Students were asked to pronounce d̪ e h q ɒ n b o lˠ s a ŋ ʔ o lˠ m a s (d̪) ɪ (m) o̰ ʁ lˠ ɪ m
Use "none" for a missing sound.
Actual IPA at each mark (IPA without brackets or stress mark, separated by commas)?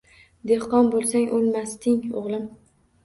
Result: t̪, ŋ